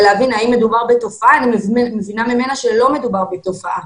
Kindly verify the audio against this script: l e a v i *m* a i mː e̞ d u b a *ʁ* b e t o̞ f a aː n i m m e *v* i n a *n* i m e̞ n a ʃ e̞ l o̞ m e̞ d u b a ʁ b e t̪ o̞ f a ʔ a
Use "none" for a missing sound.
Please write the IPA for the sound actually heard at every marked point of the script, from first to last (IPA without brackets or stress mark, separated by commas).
n, ʁ, v, m